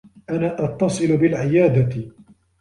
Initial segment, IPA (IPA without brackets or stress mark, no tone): ʔ